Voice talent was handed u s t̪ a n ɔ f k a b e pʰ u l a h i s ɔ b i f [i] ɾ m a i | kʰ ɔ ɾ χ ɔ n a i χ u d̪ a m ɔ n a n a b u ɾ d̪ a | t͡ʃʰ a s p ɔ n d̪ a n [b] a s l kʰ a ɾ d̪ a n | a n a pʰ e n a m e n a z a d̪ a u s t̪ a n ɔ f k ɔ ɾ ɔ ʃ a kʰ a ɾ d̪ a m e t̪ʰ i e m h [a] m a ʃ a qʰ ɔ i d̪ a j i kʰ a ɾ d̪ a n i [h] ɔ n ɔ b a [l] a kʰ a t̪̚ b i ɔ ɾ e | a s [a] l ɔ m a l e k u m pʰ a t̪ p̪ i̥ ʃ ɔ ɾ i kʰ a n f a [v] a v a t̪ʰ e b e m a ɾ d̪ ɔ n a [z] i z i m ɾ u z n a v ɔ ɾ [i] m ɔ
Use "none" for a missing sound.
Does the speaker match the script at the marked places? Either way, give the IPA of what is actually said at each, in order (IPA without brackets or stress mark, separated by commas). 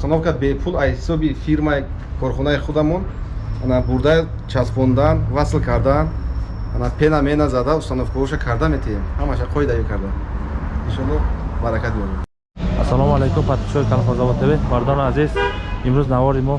i, v, a, ʃ, ɾ, a, z, z, i